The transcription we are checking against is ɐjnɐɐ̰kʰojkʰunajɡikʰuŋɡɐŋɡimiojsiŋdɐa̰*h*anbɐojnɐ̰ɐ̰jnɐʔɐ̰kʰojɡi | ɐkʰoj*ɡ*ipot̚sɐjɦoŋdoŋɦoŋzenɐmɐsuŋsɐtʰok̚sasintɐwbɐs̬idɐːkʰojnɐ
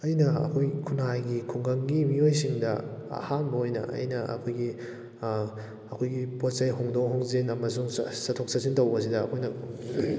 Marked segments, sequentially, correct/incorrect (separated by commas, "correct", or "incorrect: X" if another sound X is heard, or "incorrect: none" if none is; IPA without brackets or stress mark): correct, correct